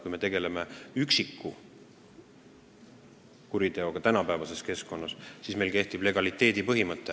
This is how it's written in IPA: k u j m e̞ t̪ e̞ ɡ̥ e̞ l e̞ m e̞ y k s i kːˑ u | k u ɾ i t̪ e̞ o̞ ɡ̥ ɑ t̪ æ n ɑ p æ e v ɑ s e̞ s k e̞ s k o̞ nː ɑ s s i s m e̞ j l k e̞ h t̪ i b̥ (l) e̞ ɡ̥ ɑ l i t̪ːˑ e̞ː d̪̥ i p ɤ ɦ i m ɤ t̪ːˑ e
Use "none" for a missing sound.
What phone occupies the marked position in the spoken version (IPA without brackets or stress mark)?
l